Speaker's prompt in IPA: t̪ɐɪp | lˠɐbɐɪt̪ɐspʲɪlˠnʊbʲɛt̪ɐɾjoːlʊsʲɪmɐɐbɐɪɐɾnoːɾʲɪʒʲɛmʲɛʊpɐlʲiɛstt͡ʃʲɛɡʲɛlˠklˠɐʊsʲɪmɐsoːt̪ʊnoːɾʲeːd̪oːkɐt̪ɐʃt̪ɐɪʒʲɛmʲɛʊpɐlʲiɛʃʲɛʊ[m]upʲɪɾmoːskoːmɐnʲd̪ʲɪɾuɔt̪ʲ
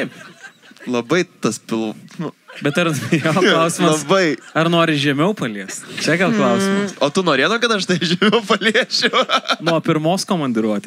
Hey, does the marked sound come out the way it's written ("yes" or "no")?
no